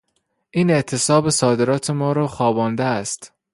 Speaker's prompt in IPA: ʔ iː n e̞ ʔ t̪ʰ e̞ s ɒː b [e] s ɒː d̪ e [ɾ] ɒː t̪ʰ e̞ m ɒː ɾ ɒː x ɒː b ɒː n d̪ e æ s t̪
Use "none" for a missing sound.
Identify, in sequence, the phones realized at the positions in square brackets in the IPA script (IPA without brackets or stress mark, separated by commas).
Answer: e, ɾ